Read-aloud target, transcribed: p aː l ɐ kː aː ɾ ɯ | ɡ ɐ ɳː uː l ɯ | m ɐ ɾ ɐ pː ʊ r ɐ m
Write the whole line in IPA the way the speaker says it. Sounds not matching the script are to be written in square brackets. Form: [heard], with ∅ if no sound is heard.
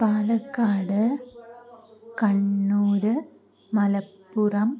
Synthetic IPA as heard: p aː l ɐ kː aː [ɽ] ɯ | [k] ɐ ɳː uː [ɾ] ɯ | m ɐ [l] ɐ pː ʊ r ɐ m